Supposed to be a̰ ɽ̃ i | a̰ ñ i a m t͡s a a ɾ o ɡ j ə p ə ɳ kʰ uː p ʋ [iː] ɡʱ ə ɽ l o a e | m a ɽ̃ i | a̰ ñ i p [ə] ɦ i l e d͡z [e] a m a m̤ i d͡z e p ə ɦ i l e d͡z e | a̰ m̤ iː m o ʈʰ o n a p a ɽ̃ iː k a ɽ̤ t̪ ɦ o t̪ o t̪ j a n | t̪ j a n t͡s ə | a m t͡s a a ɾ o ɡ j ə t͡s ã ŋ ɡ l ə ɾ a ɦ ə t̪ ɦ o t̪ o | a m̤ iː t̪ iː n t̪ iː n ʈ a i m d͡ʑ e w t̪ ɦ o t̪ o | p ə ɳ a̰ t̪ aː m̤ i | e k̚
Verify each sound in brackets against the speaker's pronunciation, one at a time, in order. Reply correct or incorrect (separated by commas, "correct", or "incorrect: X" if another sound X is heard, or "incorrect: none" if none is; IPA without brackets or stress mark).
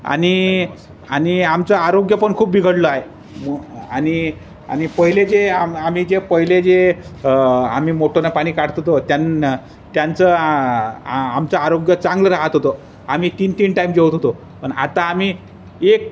incorrect: i, correct, correct